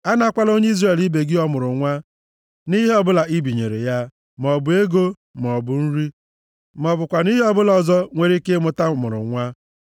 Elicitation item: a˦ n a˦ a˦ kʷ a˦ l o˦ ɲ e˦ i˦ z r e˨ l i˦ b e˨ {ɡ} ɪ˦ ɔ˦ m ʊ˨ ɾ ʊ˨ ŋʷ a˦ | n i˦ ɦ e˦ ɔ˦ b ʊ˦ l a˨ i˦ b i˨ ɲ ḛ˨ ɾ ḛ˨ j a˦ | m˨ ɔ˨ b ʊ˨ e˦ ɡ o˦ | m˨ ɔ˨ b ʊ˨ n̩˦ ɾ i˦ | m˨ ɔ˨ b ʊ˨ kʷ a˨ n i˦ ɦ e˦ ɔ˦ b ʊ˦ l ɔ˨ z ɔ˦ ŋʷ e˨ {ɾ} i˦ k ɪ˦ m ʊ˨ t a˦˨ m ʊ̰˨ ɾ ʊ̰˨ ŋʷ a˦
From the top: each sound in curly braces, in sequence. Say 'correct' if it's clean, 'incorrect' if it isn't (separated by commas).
correct, correct